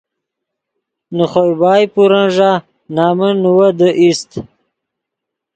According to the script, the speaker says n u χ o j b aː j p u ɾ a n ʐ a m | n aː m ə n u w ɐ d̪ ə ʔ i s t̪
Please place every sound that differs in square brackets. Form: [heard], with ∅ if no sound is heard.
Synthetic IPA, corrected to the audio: n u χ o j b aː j p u ɾ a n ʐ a [∅] | n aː m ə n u w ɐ d̪ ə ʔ i s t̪